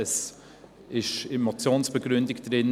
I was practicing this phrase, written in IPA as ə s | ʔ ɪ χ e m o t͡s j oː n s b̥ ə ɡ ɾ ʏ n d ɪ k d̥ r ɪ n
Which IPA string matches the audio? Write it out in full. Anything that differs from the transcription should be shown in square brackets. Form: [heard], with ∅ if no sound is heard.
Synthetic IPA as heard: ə s | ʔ ɪ [ʃ] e m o t͡s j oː n s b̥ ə ɡ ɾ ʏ n d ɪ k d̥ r ɪ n